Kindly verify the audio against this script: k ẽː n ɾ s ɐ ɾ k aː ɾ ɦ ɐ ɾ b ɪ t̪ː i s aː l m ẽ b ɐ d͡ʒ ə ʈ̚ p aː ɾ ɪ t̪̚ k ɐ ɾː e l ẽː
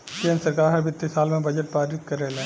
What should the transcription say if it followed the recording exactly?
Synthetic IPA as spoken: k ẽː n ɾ s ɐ ɾ k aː ɾ ɦ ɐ ɾ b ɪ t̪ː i s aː l m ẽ b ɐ d͡ʒ ə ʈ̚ p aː ɾ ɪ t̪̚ k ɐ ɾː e l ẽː